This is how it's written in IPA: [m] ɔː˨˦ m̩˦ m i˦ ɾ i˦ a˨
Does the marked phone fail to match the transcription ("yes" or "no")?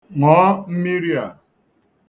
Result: yes